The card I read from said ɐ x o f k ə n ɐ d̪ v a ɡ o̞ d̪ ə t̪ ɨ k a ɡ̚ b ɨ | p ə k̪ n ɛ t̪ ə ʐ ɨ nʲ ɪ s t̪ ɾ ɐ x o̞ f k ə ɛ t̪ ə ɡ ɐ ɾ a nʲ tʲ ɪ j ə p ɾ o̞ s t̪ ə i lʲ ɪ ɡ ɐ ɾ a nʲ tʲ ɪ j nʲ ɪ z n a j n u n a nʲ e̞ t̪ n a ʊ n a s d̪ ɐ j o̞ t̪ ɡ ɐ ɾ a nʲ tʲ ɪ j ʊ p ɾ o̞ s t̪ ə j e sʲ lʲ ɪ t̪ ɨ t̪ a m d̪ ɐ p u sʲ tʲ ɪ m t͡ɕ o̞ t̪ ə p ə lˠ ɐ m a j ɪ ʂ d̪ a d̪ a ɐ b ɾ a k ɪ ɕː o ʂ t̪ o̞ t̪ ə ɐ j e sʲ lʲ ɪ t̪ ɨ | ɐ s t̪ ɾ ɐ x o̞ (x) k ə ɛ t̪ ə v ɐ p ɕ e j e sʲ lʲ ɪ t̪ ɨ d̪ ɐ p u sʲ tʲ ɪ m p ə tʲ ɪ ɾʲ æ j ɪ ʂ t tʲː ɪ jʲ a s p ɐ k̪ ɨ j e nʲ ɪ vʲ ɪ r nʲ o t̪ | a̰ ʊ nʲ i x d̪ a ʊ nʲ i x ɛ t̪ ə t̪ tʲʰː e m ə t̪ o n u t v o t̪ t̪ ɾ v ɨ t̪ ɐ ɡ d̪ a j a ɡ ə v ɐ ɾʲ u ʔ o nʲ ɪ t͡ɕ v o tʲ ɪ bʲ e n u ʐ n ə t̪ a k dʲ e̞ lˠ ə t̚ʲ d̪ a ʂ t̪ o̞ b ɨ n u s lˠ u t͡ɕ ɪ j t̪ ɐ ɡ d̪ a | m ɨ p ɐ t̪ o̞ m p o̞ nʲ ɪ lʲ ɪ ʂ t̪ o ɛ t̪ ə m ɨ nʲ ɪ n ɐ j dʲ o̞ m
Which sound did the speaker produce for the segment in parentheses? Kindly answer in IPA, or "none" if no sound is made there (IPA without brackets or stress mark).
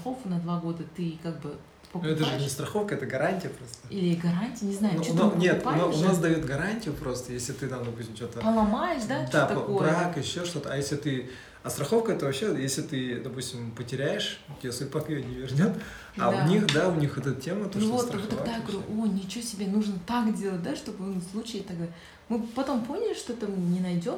f